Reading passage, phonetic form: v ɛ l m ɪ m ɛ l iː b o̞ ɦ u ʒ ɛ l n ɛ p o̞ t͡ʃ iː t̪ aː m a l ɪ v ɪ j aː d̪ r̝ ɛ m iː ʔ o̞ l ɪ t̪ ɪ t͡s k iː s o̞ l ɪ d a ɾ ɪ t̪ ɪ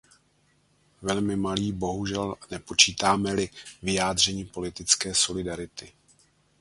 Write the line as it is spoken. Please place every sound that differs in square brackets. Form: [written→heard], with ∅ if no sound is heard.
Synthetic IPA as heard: v ɛ l m ɪ m [ɛ→a] l iː b o̞ ɦ u ʒ ɛ l n ɛ p o̞ t͡ʃ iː t̪ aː m [a→ɛ] l ɪ v ɪ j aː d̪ r̝ ɛ [m→ɲ] iː [ʔ→p] o̞ l ɪ t̪ ɪ t͡s k [iː→ɛː] s o̞ l ɪ d a ɾ ɪ t̪ ɪ